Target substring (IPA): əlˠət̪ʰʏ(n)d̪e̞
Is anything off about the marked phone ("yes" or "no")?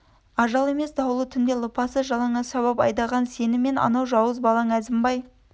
no